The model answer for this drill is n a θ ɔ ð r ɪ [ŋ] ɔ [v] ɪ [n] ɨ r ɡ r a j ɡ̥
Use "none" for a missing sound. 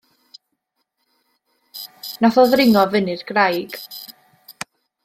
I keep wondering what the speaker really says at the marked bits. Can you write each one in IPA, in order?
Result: ŋ, v, n

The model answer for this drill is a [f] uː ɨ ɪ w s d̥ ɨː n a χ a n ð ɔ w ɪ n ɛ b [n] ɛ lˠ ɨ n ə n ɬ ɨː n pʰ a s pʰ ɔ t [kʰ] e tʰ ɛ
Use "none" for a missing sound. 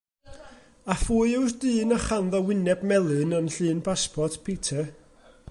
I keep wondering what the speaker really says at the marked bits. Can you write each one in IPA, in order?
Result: f, m, pʰ

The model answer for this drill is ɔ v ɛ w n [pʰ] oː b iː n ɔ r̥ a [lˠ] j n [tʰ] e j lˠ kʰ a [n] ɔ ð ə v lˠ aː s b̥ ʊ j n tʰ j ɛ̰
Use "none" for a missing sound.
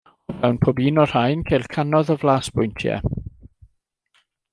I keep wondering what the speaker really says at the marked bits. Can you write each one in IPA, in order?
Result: pʰ, none, kʰ, n

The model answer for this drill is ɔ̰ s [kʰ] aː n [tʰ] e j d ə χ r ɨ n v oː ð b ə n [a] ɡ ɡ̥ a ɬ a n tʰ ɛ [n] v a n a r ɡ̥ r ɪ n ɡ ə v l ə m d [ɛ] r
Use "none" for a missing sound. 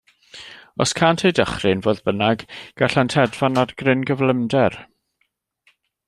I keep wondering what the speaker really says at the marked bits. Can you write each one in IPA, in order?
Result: kʰ, tʰ, a, d, ɛ

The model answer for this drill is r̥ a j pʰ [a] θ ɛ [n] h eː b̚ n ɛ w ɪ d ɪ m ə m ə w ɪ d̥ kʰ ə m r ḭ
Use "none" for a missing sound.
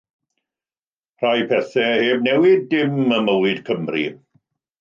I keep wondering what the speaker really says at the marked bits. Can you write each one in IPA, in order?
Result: ɛ, none

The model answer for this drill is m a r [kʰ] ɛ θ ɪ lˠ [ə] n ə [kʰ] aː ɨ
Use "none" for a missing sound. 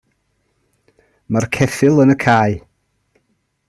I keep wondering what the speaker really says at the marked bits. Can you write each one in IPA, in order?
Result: kʰ, ə, kʰ

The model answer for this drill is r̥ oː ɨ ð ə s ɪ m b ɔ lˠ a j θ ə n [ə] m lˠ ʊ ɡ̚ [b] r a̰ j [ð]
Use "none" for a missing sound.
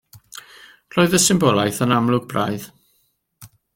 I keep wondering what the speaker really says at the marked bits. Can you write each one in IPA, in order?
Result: a, b, ð

